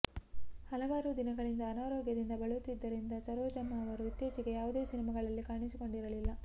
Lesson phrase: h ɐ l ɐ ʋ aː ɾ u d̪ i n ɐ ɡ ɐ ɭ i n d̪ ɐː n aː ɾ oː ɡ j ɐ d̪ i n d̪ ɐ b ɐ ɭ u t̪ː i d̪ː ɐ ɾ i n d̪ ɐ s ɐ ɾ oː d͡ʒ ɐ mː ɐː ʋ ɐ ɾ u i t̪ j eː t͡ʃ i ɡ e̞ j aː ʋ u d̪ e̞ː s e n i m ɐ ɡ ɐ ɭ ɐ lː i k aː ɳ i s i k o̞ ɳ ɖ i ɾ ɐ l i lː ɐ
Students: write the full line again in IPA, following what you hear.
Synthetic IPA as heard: h ɐ l ɐ ʋ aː ɾ u d̪ i n ɐ ɡ ɐ ɭ i n d̪ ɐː n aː ɾ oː ɡ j ɐ d̪ i n d̪ ɐ b ɐ ɭ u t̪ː i d̪ː ɐ ɾ i n d̪ ɐ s ɐ ɾ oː d͡ʒ ɐ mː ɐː ʋ ɐ ɾ u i t̪ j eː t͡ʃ i ɡ e̞ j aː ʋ u d̪ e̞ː s i n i m ɐ ɡ ɐ ɭ ɐ lː i k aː ɳ i s i k o̞ ɳ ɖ i ɾ ɐ l i lː ɐ